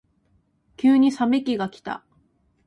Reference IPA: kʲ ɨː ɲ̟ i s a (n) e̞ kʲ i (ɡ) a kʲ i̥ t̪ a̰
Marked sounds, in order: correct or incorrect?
incorrect: m, correct

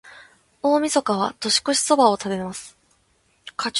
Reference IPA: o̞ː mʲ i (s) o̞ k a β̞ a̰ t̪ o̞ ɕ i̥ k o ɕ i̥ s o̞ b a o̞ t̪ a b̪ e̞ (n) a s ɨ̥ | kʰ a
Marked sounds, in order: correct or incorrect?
correct, incorrect: m

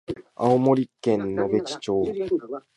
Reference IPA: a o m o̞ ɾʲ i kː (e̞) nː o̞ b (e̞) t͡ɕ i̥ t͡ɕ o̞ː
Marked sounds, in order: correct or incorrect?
incorrect: ẽ̞, correct

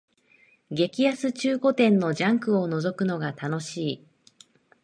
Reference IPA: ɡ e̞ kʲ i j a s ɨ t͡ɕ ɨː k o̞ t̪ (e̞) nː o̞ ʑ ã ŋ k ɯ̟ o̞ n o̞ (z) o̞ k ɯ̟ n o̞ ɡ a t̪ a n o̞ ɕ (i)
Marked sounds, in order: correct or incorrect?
incorrect: ẽ̞, correct, incorrect: iː

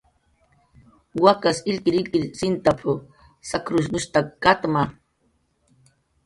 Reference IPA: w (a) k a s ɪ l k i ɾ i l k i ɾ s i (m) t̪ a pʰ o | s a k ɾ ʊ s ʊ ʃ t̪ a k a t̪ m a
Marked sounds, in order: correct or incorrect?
correct, incorrect: n

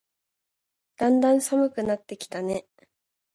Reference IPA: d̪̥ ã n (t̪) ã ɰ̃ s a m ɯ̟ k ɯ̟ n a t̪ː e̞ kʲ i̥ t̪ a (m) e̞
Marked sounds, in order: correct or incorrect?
incorrect: d̪, incorrect: n

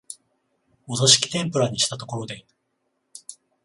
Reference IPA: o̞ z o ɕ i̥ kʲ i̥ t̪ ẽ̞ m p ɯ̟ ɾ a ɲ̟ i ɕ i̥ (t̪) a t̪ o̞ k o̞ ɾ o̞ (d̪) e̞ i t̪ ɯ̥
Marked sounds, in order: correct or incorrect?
correct, correct

